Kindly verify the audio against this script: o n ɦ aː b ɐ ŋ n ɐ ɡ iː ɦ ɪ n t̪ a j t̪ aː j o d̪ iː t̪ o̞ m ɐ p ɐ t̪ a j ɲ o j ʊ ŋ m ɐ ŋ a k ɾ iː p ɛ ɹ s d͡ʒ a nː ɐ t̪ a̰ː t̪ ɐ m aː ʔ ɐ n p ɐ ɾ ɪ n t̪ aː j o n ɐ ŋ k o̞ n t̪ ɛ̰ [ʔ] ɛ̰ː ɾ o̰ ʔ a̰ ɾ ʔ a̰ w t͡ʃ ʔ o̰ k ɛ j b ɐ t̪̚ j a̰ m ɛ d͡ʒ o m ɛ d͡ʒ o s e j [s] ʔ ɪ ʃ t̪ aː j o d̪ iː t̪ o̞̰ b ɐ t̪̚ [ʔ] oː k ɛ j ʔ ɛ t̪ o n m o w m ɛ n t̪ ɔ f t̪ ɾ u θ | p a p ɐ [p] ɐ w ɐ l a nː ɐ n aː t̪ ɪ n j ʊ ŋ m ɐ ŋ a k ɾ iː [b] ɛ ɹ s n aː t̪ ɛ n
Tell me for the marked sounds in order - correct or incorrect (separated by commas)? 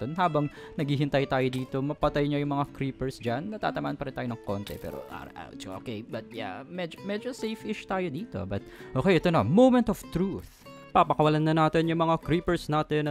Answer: incorrect, incorrect, correct, incorrect, incorrect